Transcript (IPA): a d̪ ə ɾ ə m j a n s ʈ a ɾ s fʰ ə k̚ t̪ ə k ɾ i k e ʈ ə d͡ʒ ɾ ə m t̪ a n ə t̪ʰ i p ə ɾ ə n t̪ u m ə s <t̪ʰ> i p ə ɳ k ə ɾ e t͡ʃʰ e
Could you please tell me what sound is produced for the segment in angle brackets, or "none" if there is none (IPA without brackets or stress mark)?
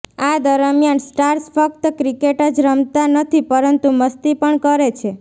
t̪